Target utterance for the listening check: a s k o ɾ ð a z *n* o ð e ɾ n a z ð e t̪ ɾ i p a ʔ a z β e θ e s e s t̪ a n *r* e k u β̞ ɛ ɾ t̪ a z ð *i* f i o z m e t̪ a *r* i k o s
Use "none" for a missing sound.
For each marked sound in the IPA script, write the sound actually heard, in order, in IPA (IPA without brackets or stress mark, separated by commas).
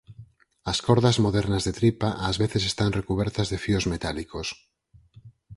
m, r, e, l